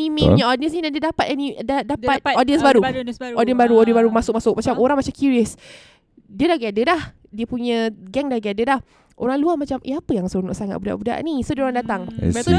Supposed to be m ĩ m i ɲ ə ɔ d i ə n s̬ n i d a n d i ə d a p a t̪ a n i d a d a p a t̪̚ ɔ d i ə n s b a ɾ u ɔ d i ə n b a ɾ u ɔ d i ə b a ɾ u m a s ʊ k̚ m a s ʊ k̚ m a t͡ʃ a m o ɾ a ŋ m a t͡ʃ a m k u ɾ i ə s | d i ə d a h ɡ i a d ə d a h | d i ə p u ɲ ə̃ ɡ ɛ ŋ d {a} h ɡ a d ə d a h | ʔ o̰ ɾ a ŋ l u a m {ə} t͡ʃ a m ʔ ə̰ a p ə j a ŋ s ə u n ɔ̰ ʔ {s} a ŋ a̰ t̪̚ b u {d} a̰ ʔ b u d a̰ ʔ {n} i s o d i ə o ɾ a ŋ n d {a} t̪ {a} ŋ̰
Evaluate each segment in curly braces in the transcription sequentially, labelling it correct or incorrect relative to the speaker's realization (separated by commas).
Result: correct, incorrect, correct, correct, correct, correct, correct